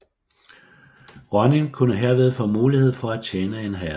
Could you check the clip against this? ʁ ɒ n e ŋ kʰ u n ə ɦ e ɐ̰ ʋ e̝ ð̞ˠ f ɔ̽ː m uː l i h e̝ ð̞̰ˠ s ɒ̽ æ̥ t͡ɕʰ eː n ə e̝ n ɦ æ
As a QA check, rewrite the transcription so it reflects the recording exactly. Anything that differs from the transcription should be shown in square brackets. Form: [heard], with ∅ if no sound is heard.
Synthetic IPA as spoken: ʁ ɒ n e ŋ kʰ u n ə ɦ e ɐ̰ ʋ e̝ ð̞ˠ f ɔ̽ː m uː l i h e̝ ð̞̰ˠ [f] ɒ̽ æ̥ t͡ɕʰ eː n ə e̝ n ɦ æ